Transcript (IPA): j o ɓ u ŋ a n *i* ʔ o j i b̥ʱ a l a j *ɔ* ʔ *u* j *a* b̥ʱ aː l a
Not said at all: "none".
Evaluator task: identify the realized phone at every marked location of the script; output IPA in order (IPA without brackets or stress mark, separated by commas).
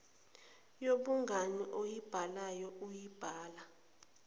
i, ɔ, u, i